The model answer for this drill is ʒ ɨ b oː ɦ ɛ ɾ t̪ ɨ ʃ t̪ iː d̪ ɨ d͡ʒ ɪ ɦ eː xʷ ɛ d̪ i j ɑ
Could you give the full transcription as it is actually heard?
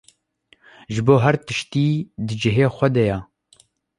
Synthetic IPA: ʒ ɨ b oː ɦ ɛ ɾ t̪ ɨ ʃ t̪ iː d̪ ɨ d͡ʒ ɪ ɦ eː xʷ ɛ d̪ ɛ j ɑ